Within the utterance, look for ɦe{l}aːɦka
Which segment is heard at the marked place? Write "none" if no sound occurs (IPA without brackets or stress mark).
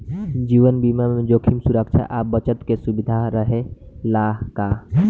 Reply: l